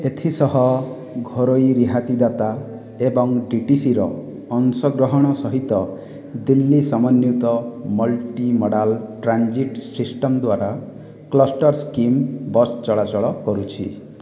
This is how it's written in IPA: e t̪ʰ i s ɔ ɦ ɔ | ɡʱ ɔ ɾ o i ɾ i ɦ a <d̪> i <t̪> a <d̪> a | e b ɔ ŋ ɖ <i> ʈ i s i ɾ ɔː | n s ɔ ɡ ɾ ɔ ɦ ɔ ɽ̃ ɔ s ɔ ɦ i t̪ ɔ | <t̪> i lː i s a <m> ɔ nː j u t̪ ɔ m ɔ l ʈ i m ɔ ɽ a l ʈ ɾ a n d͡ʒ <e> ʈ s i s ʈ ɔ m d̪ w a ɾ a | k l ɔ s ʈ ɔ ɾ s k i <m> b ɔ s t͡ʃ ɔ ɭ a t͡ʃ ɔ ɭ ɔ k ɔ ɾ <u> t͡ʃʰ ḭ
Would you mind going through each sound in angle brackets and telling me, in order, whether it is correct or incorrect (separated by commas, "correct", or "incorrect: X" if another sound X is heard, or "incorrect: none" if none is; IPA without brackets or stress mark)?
incorrect: t̪, incorrect: d̪, incorrect: t̪, correct, incorrect: d̪, correct, incorrect: i, correct, correct